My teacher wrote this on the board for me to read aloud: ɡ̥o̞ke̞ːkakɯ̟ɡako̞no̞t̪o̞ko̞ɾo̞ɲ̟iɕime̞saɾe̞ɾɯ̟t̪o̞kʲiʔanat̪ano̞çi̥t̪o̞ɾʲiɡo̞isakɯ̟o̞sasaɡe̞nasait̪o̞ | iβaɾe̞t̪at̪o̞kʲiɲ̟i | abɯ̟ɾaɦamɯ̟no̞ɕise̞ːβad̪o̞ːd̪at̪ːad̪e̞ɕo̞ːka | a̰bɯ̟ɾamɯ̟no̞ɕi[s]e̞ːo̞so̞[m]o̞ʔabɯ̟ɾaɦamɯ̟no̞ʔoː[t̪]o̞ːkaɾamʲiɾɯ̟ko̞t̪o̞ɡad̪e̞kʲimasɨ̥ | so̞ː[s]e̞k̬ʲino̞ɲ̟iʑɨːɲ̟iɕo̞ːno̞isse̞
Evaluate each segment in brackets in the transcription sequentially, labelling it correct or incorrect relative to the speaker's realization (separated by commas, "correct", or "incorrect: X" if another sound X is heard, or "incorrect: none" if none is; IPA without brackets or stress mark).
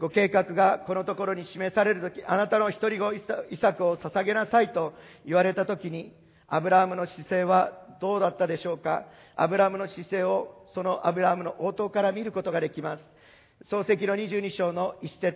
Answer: correct, incorrect: n, correct, correct